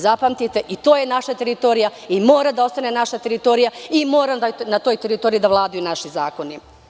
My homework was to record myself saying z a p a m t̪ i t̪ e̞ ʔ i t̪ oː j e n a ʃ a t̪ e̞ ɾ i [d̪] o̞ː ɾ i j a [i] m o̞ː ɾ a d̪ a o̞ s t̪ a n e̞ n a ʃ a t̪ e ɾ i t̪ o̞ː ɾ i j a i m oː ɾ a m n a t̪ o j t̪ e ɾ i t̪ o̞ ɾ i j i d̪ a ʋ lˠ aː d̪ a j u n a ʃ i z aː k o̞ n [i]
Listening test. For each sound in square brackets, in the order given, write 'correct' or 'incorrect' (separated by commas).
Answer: incorrect, correct, correct